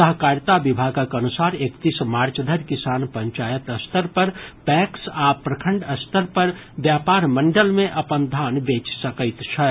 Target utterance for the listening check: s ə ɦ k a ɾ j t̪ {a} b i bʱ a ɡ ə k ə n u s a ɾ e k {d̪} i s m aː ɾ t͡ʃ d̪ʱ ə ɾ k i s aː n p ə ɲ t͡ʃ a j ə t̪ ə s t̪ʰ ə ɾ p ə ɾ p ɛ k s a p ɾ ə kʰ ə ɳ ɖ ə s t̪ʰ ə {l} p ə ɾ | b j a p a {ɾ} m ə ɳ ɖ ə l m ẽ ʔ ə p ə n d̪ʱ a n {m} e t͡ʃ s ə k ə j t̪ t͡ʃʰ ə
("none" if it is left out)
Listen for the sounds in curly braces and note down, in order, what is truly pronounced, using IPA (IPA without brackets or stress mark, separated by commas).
a, t̪, ɾ, ɾ, b